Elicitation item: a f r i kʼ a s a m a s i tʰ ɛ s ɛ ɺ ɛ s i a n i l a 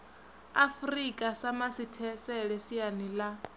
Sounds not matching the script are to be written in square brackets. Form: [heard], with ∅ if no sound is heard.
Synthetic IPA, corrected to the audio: a f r i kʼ a s a m a s i tʰ ɛ s ɛ ɺ ɛ s i a n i l a